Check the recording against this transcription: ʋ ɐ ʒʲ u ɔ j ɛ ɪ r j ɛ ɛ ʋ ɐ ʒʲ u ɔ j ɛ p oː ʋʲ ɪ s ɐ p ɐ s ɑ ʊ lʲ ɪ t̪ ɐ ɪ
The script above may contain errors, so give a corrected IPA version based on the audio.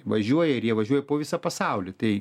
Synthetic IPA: ʋ ɐ ʒʲ u ɔ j ɛ ɪ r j i ɛ ʋ ɐ ʒʲ u ɔ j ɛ p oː ʋʲ ɪ s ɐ p ɐ s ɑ ʊ lʲ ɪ t̪ ɐ ɪ